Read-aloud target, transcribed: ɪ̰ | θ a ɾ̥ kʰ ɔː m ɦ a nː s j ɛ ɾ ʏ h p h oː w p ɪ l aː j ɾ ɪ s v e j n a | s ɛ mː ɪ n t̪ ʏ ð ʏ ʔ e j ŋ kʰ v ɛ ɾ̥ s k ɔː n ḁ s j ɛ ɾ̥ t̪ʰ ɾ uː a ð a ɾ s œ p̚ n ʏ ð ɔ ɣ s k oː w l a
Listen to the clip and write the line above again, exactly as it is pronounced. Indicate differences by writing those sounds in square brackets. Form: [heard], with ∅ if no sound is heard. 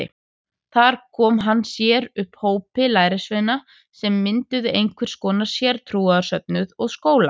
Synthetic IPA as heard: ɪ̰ | θ a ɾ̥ kʰ ɔː m ɦ a nː s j ɛ ɾ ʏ h p h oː w p ɪ l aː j ɾ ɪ s v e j n a | s ɛ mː ɪ n t̪ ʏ ð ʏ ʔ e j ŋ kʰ v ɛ ɾ̥ s k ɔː n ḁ s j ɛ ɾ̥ t̪ʰ ɾ uː a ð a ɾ s œ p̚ n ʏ ð ɔ ɣ s k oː w l a